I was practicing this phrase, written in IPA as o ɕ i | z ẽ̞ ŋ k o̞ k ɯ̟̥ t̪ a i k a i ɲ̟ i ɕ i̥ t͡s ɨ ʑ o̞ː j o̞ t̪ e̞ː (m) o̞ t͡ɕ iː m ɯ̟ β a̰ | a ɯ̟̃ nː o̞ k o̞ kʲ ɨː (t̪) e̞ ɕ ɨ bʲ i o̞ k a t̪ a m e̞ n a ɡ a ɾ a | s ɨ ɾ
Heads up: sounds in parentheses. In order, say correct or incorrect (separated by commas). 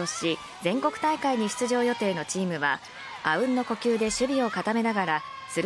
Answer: incorrect, incorrect